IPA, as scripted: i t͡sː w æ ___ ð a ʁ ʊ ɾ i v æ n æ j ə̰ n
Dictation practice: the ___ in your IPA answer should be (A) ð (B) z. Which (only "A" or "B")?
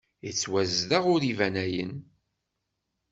B